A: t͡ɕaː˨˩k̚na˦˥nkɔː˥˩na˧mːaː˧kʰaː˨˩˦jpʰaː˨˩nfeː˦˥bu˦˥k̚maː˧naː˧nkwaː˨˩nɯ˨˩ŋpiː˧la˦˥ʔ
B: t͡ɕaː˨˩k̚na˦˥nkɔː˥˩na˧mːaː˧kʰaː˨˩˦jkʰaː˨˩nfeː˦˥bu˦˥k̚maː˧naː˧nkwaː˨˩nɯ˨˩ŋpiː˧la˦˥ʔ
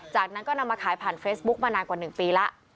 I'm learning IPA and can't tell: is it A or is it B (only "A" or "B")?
A